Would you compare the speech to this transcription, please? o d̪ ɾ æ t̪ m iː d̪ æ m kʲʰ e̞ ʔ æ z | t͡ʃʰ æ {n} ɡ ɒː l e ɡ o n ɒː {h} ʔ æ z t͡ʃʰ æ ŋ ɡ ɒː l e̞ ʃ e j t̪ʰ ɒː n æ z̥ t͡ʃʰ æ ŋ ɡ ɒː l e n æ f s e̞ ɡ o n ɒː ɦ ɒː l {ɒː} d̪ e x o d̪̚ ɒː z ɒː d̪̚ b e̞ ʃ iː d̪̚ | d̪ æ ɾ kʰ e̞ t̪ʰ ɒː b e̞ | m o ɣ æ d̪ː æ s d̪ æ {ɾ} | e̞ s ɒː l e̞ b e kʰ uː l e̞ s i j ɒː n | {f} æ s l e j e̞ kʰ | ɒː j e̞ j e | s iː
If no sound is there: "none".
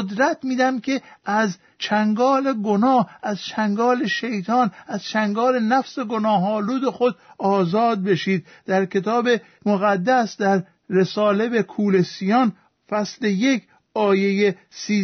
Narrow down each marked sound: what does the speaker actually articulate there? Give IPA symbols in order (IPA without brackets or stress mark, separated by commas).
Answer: ŋ, h, uː, ɾː, f